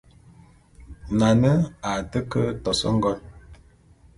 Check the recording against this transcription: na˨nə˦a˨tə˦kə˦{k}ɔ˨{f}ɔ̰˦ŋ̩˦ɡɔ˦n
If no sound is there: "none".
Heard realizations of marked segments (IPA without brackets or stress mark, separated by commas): t, s